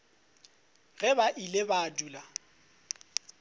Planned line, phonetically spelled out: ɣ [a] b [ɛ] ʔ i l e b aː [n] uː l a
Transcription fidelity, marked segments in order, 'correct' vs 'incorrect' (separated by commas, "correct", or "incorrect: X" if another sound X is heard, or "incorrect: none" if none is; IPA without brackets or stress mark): incorrect: ɛ, incorrect: a, incorrect: d